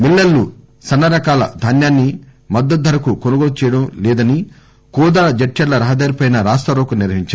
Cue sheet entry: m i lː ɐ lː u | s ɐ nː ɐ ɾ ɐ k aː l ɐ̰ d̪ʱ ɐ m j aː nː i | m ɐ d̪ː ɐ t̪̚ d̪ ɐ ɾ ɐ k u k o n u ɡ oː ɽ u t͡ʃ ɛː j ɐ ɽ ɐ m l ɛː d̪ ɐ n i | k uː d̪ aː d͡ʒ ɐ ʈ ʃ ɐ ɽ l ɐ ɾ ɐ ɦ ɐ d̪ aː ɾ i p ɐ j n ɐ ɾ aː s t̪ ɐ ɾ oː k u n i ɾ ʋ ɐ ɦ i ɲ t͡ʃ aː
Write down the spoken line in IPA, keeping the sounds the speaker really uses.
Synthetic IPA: m i lː ɐ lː u | s ɐ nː ɐ ɾ ɐ k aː l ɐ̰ d̪ʱ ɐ n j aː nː i | m ɐ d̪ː ɐ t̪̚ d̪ ɐ ɾ ɐ k u k o n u ɡ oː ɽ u t͡ʃ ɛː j ɐ ɽ ɐ m l ɛː d̪ ɐ n i | k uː d̪ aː d͡ʒ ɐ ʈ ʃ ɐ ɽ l ɐ ɾ ɐ ɦ ɐ d̪ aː ɾ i p ɐ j n ɐ ɾ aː s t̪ ɐ ɾ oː k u n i ɾ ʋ ɐ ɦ i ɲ t͡ʃ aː

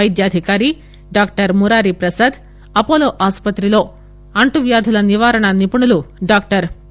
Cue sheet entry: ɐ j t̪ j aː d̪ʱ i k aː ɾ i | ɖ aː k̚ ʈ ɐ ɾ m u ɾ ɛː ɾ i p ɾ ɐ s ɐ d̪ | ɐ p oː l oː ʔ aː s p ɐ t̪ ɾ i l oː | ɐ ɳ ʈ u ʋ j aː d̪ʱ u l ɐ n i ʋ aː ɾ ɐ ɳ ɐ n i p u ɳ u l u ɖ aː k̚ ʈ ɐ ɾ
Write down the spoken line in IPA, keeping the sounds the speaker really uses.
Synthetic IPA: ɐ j d̪ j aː d̪ʱ i k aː ɾ i | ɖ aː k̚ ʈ ɐ ɾ m u ɾ aː ɾ i p ɾ ɐ s ɐ d̪ | ɐ p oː l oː ʔ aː s p ɐ t̪ ɾ i l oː | ɐ ɳ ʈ u ʋ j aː d̪ʱ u l ɐ n i ʋ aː ɾ ɐ ɳ ɐ n i p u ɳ u l u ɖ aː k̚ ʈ ɐ ɾ

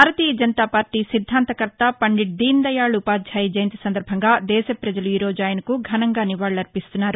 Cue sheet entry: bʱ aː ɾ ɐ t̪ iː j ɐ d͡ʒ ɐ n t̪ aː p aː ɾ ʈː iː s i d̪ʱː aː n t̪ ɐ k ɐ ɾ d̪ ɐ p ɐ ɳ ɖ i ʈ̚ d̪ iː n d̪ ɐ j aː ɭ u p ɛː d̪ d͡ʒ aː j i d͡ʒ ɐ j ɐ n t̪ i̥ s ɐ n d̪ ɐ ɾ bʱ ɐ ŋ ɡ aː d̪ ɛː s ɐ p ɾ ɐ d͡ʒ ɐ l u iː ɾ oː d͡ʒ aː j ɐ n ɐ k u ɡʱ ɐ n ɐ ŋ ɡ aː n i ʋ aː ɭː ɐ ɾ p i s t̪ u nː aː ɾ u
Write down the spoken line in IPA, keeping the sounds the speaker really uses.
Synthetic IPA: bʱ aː ɾ ɐ t̪ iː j ɐ d͡ʒ ɐ n t̪ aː p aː ɾ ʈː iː s i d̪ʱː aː n t̪ ɐ k ɐ ɾ t̪ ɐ p ɐ ɳ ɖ i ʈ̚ d̪ iː n d̪ ɐ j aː ɭ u p aː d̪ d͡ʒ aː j i d͡ʒ ɐ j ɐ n t̪ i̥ s ɐ n d̪ ɐ ɾ bʱ ɐ ŋ ɡ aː d̪ ɛː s ɐ p ɾ ɐ d͡ʒ ɐ l u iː ɾ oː d͡ʒ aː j ɐ n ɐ k u ɡʱ ɐ n ɐ ŋ ɡ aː n i ʋ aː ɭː ɐ ɾ p i s t̪ u nː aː ɾ u

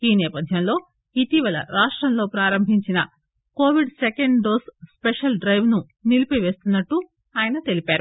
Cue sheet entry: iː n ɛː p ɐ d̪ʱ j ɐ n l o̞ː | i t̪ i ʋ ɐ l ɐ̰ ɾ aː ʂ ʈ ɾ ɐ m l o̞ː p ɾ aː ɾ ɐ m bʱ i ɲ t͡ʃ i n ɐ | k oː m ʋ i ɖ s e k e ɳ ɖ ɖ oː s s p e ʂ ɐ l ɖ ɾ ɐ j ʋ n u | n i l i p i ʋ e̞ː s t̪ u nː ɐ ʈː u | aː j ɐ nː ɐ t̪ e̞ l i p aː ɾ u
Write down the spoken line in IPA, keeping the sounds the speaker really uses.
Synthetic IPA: iː n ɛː p ɐ d̪ʱ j ɐ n l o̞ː | i t̪ i ʋ ɐ l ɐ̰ ɾ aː ʂ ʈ ɾ ɐ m l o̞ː p ɾ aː ɾ ɐ m bʱ i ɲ t͡ʃ i n ɐ | k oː ʋ i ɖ s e k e ɳ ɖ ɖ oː s s p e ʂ ɐ l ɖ ɾ ɐ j ʋ n u | n i l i p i ʋ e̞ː s t̪ u nː ɐ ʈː u | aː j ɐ n ɐ t̪ e̞ l i p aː ɾ u

